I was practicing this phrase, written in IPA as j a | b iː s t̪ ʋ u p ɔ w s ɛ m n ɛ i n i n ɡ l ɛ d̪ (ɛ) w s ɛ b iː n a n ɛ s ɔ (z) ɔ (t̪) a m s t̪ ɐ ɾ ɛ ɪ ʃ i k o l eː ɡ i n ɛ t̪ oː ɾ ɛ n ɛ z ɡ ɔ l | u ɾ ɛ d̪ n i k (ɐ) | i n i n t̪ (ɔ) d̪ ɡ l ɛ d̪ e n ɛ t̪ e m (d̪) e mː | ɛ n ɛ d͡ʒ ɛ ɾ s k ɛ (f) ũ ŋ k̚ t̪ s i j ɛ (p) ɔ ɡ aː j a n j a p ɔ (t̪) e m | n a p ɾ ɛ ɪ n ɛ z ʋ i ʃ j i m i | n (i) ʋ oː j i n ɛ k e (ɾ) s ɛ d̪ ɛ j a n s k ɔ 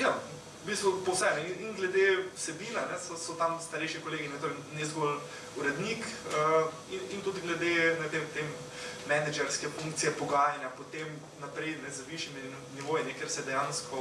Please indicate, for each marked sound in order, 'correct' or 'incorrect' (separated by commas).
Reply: incorrect, incorrect, correct, incorrect, incorrect, incorrect, correct, correct, correct, correct, correct